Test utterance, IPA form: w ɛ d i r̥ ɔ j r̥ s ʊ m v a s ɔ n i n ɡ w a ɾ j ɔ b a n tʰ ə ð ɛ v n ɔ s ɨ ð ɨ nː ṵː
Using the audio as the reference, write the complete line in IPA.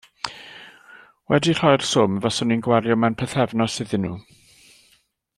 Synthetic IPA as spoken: w ɛ d i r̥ ɔ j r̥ s ʊ m v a s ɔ n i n ɡ w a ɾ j ɔ m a n pʰ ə θ ɛ v n ɔ s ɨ ð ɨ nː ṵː

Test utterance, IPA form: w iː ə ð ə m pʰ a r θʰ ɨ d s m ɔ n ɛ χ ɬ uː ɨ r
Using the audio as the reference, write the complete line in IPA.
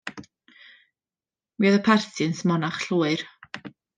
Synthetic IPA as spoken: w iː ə ð ə pʰ a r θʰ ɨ n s m ɔ n a χ ɬ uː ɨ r

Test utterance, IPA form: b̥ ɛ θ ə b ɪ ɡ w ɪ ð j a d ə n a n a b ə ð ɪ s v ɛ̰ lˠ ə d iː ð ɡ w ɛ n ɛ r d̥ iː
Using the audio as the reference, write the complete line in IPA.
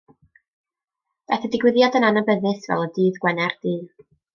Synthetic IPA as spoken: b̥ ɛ θ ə d ɪ ɡ w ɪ ð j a d ə n a n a b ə ð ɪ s v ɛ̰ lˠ ə d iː ð ɡ w ɛ n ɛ r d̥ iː

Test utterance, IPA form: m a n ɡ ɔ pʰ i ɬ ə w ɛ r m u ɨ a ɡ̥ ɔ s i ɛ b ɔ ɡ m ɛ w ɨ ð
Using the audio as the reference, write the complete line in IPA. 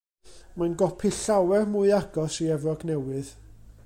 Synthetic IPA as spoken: m a n ɡ ɔ pʰ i ɬ a w ɛ r m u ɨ a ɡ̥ ɔ s i ɛ v ɔ ɡ n ɛ w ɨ ð

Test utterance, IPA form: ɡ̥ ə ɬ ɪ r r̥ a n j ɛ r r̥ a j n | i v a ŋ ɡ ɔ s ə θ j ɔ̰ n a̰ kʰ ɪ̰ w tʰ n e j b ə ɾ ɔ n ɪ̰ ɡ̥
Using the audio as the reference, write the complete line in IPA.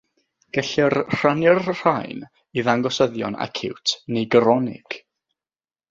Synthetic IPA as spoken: ɡ̥ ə ɬ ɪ r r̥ a n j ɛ r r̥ a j n | i ð a ŋ ɡ ɔ s ə ð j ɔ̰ n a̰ kʰ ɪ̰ w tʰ n e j ɡ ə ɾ ɔ n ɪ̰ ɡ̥

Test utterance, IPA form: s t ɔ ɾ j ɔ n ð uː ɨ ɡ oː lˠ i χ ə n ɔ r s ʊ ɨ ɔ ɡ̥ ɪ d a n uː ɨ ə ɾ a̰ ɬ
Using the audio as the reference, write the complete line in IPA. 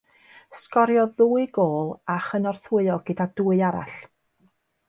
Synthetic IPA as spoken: s k ɔ ɾ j ɔ ð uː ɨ ɡ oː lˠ a χ ə n ɔ r θ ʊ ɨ ɔ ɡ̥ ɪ d a d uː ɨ a ɾ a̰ ɬ

